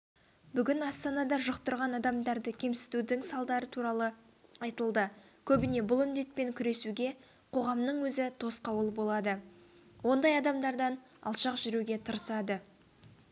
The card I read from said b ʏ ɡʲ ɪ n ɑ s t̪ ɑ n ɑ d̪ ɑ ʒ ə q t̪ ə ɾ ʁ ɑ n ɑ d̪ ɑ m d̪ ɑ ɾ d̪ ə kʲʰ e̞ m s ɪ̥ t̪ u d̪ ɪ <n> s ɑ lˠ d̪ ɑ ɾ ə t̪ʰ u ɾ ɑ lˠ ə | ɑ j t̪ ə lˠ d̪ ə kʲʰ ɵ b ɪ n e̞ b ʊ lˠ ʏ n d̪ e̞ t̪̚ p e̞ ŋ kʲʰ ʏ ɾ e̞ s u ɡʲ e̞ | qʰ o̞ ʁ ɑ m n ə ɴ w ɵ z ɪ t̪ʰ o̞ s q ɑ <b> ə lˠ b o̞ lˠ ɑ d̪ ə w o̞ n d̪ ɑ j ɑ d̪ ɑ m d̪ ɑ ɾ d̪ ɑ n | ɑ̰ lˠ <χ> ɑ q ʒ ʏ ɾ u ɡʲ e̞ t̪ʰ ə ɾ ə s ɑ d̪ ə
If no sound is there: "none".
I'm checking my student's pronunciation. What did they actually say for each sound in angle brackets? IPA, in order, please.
ŋ, w, ʃ

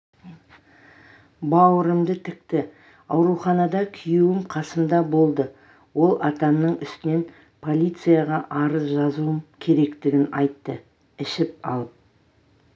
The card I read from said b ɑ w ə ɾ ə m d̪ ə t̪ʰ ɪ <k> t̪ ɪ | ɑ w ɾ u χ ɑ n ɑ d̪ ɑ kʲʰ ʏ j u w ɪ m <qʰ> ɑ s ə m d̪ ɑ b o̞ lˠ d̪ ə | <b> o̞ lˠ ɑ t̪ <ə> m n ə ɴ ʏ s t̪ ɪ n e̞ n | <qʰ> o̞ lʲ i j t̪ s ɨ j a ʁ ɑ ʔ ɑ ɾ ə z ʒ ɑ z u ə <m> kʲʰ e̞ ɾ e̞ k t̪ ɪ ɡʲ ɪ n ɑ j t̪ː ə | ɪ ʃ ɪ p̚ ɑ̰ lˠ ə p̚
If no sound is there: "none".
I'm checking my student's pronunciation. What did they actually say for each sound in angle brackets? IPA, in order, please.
k, qʰ, w, ɑ, pʰ, m

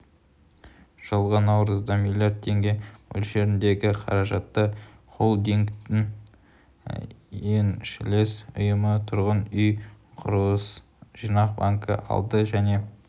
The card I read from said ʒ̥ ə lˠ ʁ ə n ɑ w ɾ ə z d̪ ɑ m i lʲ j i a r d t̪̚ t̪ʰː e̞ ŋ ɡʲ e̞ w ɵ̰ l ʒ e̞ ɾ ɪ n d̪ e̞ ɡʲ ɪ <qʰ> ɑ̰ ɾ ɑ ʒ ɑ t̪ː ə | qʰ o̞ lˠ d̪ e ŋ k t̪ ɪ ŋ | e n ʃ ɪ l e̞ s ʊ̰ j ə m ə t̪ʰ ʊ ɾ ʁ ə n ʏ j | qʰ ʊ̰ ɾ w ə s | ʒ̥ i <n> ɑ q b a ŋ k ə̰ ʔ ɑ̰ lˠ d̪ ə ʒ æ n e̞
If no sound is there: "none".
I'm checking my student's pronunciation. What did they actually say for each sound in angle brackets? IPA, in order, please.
qʰ, n

